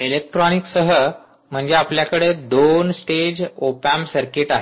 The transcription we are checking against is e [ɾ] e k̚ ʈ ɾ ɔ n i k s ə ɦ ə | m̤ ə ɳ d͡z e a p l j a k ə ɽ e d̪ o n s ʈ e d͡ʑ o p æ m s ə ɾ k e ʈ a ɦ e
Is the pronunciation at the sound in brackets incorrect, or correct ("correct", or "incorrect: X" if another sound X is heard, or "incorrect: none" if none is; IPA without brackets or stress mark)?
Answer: incorrect: l